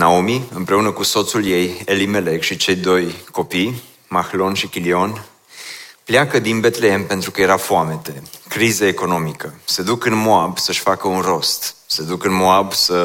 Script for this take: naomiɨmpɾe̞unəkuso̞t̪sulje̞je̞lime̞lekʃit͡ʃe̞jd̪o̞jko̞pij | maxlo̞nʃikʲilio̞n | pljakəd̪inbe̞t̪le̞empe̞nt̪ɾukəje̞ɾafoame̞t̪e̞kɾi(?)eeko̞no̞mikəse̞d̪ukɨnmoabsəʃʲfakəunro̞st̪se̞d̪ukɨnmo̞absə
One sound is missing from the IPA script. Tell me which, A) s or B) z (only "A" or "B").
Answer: B